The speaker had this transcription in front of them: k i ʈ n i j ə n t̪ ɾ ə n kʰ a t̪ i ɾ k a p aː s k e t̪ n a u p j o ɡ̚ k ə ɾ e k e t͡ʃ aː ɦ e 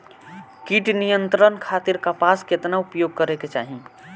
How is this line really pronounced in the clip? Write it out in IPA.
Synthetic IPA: k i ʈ n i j ə n t̪ ɾ ə n kʰ a t̪ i ɾ k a p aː s k e t̪ n a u p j o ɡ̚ k ə ɾ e k e t͡ʃ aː ɦ i